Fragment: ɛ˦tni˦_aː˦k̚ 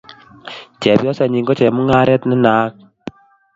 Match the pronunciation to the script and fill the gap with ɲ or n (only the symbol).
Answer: n